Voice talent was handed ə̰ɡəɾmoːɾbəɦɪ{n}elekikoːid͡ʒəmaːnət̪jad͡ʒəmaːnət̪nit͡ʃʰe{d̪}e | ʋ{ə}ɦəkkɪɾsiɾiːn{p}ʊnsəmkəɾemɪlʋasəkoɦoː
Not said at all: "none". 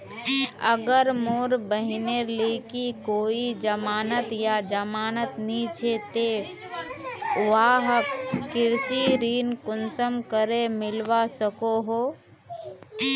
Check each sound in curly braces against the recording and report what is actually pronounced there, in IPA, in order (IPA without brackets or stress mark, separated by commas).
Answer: n, t̪, a, k